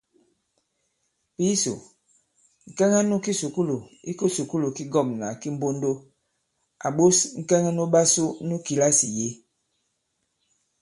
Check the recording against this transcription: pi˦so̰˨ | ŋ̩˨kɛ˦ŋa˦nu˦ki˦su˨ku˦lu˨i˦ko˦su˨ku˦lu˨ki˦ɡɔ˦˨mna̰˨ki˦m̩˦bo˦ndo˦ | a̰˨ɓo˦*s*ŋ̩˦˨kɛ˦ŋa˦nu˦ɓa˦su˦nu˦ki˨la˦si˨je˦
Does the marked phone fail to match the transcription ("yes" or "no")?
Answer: no